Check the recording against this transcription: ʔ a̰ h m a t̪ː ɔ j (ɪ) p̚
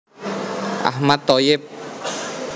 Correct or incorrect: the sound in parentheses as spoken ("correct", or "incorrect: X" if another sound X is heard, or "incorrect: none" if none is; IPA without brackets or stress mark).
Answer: correct